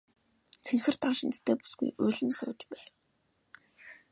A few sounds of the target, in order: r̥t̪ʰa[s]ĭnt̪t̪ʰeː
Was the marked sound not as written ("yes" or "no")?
yes